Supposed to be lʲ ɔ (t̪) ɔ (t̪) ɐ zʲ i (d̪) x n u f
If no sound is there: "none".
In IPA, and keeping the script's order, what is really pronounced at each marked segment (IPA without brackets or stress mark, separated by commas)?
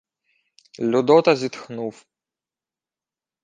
d̪, t̪, t̪